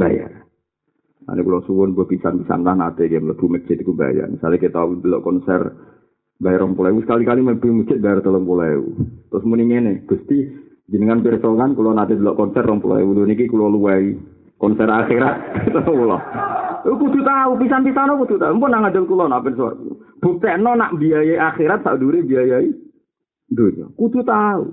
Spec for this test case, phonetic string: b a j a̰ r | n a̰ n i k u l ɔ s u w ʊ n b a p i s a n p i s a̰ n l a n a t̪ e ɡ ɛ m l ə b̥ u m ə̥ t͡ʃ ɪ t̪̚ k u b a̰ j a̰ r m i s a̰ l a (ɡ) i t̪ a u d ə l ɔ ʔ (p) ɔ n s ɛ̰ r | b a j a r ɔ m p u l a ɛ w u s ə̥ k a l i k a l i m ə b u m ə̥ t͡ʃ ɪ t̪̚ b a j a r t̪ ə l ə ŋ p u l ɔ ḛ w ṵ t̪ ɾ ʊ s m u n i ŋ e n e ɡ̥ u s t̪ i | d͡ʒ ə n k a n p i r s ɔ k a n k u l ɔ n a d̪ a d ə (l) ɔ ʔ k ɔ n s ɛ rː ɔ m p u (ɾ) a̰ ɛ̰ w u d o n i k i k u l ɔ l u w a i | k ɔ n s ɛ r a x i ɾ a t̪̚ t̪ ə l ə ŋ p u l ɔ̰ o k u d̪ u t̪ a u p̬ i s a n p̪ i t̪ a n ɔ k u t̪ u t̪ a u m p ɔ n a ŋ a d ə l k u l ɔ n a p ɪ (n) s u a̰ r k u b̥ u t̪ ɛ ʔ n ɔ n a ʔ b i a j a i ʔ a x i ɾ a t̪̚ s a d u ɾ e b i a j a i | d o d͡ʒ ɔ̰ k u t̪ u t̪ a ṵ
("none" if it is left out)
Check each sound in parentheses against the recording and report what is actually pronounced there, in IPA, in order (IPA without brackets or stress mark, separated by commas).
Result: k, k, l, l, n